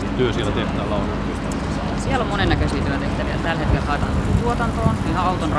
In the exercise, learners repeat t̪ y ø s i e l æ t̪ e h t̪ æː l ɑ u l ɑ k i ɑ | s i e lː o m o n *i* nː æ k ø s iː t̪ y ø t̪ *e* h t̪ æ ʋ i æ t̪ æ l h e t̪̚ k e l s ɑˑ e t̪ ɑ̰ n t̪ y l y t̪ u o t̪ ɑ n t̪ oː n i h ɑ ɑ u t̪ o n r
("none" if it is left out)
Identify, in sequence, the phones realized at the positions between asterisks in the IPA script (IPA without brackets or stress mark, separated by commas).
e, e